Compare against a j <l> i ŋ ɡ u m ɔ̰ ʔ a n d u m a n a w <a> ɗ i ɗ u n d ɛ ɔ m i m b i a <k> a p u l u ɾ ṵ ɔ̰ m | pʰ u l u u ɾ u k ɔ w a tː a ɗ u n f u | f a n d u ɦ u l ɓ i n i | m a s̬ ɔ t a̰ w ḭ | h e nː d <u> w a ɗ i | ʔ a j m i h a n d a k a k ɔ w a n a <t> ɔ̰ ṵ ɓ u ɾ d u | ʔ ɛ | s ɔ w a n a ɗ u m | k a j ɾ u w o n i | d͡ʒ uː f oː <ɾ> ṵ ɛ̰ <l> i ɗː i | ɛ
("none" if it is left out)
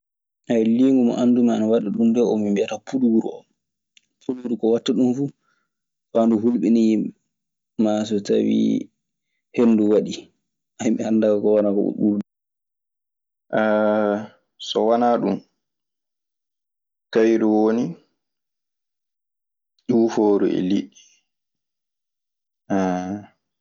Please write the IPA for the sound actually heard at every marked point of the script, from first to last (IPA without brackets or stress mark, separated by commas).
l, a, t, u, k, ɾ, l